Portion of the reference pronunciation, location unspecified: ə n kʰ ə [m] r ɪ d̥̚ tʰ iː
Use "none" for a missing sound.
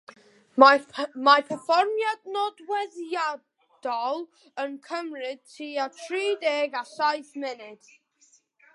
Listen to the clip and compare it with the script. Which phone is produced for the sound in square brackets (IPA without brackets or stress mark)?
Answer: m